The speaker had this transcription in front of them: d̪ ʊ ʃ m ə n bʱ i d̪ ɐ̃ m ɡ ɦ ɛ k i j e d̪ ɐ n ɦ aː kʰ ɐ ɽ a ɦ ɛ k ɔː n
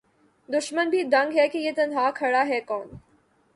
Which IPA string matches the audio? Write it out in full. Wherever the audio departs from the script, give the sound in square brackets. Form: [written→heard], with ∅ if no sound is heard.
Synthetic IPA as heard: d̪ ʊ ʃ m ə n bʱ i d̪ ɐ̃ [m→ŋ] ɡ ɦ ɛ k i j e [d̪→t̪] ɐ n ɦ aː kʰ ɐ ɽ a ɦ ɛ k ɔː n